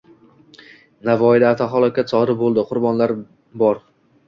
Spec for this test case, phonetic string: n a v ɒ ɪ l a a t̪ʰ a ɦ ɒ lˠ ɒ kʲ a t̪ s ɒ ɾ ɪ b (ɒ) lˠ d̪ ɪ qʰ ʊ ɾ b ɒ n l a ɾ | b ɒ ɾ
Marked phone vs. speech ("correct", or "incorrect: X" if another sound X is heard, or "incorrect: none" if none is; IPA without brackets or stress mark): incorrect: o